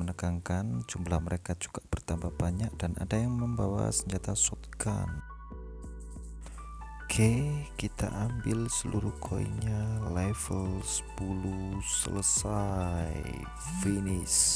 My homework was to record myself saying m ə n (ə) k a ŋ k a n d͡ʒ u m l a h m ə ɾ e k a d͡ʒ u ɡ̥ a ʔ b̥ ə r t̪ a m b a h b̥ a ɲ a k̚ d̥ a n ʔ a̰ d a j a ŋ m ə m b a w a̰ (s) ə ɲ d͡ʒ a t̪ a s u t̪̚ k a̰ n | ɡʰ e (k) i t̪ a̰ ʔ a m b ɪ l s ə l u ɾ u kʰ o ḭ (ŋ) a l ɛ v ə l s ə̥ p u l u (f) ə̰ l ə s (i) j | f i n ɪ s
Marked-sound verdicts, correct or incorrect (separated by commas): correct, correct, correct, incorrect, incorrect, incorrect